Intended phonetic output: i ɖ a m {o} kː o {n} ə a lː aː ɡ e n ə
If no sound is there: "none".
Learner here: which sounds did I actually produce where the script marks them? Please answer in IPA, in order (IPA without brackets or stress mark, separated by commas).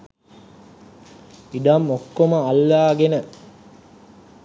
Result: o, m